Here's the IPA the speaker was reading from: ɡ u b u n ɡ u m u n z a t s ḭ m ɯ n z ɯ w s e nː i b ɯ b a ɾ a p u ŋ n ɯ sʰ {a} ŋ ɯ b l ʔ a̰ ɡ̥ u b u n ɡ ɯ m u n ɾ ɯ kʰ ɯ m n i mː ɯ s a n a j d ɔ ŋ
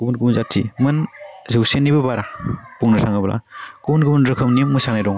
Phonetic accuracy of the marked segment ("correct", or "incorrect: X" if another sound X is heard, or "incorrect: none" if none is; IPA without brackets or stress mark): correct